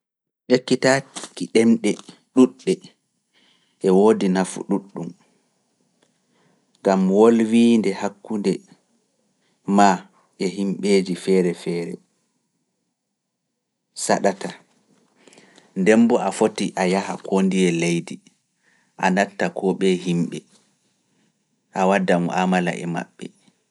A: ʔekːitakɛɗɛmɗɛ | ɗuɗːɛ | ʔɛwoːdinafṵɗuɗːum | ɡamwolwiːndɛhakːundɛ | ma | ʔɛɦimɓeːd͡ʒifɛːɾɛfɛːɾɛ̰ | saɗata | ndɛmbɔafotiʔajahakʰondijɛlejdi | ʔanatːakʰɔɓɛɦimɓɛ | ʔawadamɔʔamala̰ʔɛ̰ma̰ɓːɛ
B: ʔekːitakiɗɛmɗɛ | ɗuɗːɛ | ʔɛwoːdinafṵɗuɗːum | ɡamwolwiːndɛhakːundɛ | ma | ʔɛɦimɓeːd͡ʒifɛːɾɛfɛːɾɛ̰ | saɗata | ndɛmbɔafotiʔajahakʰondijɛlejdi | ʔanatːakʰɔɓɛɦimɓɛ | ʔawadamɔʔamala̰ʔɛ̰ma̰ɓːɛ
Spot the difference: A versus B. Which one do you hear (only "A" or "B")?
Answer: B